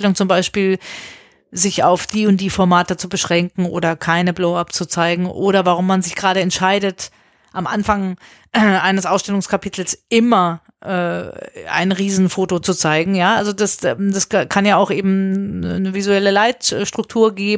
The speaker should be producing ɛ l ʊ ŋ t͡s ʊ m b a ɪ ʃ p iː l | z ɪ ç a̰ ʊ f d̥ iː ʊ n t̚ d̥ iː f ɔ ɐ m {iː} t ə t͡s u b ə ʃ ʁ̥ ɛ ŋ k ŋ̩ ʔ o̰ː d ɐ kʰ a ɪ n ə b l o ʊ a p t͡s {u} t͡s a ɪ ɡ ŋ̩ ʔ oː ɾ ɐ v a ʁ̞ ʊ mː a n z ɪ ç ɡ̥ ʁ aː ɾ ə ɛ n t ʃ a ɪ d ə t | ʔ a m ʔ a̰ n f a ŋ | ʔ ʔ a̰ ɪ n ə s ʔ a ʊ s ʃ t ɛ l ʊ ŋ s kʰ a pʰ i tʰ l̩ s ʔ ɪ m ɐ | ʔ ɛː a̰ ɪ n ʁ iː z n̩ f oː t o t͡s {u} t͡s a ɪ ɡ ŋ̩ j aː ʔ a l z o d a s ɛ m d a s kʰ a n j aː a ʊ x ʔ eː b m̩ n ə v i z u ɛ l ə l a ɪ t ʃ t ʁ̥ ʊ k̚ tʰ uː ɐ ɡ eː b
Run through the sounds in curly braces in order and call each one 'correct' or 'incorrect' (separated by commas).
incorrect, correct, correct